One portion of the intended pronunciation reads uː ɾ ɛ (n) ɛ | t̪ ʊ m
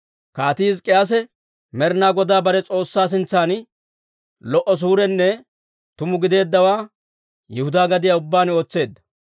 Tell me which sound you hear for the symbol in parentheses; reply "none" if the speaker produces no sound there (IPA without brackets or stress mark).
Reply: nː